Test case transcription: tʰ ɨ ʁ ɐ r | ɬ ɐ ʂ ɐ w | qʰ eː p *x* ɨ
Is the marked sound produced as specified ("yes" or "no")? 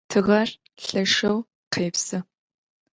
no